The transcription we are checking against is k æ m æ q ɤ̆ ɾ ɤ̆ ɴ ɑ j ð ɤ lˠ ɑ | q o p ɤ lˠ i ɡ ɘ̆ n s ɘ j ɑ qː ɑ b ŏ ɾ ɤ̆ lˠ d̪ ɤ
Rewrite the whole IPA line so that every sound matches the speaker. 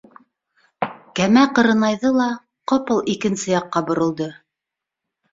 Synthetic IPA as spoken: k æ m æ q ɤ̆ ɾ ɤ̆ n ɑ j ð ɤ lˠ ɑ | q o p ɤ lˠ i k ɘ̆ n s ɘ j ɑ qː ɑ b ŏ ɾ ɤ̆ lˠ d̪ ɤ